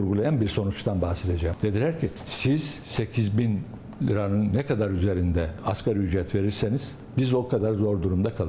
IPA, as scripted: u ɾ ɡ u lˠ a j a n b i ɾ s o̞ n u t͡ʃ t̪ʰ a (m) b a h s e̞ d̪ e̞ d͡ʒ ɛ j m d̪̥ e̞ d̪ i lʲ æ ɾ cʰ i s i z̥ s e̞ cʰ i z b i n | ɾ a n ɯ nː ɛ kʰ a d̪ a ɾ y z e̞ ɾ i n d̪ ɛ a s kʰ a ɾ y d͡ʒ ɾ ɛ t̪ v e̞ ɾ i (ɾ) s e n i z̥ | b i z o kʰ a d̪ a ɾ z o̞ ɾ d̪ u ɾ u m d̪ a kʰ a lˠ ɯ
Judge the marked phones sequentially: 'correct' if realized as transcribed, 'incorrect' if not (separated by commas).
incorrect, correct